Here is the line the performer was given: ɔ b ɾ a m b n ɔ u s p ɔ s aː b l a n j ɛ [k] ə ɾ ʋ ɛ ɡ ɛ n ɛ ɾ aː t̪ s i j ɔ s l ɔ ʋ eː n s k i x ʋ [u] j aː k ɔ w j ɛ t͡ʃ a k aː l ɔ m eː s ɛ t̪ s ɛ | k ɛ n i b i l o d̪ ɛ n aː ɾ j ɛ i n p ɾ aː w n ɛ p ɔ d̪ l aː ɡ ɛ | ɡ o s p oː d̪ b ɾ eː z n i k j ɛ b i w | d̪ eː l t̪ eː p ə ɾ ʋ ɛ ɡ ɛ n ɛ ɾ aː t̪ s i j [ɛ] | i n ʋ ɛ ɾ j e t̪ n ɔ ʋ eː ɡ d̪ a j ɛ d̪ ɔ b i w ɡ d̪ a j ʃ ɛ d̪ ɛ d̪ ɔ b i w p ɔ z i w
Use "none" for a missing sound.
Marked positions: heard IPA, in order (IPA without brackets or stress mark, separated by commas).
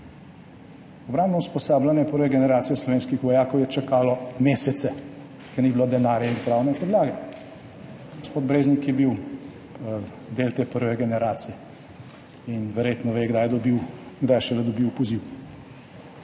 p, ɔ, ɛ